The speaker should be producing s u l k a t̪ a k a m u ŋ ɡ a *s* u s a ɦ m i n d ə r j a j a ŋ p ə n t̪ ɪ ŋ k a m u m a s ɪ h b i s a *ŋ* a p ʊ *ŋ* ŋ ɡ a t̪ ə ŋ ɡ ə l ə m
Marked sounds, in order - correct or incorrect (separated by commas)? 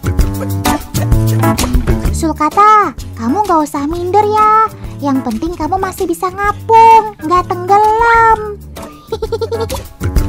incorrect, correct, correct